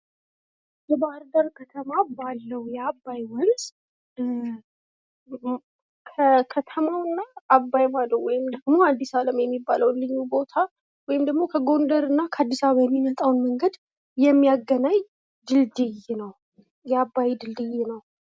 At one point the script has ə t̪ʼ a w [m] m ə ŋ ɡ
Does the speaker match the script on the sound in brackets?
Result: no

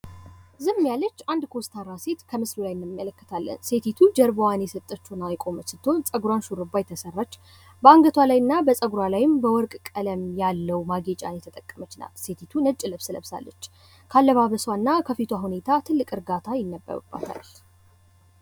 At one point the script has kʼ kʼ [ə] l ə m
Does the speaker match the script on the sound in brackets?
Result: yes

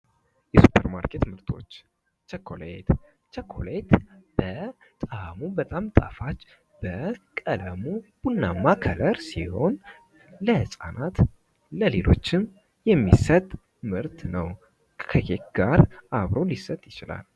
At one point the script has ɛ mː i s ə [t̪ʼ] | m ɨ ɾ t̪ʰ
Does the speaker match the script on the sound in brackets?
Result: yes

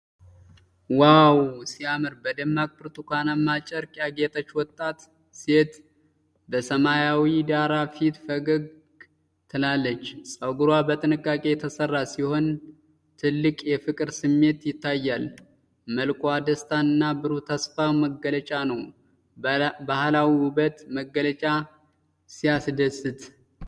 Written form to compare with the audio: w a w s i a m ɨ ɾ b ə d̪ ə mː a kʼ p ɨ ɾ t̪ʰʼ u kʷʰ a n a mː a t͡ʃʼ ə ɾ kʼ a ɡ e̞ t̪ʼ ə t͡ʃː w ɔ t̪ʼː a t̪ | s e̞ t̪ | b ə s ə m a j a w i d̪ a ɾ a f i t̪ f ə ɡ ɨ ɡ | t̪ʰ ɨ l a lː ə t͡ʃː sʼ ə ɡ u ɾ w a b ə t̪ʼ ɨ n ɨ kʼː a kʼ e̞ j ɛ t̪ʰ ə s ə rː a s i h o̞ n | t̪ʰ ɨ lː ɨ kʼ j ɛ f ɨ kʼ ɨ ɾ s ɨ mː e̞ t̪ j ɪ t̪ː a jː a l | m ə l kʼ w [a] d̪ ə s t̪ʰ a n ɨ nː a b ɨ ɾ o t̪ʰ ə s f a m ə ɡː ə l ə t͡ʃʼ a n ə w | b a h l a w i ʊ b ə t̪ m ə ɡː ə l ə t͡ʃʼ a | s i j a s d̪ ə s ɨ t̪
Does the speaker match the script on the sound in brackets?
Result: yes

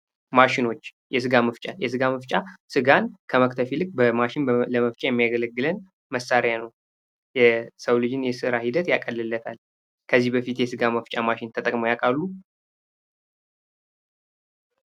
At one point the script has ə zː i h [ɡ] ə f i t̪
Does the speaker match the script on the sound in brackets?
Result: no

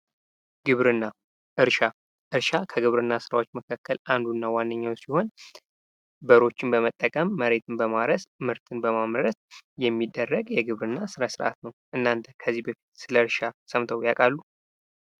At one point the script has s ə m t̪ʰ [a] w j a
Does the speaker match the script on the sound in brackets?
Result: no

